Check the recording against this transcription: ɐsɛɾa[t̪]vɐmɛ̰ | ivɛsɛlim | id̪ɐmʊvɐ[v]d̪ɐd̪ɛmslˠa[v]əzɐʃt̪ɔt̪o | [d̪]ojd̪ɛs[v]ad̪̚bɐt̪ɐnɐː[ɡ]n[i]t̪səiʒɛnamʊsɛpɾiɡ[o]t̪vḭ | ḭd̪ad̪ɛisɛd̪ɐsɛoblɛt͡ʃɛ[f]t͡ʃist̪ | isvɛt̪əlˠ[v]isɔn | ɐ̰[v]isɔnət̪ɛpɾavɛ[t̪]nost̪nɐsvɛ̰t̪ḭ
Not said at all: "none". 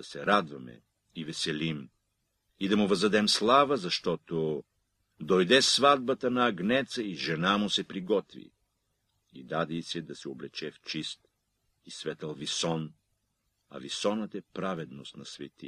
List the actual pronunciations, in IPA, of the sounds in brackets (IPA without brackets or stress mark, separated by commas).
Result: d̪, z, v, d̪, v, ɡ, ɛ, ɔ, f, v, v, d̪